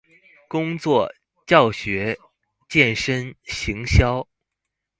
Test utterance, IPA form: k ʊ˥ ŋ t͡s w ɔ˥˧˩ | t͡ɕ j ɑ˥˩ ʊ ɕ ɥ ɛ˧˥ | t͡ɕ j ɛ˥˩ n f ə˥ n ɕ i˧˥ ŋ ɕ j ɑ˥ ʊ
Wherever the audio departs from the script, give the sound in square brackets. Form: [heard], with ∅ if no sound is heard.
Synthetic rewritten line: k ʊ˥ ŋ t͡s w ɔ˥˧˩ | t͡ɕ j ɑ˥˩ ʊ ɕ ɥ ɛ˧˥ | t͡ɕ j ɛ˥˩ n [ʂ] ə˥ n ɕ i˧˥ ŋ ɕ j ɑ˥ ʊ